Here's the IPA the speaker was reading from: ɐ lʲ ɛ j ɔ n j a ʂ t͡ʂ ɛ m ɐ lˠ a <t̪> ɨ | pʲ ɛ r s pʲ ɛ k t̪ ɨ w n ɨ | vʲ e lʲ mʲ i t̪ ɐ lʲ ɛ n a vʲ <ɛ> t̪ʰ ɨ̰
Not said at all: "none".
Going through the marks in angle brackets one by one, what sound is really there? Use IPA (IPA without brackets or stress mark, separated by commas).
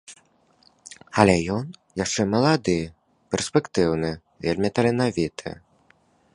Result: d̪, i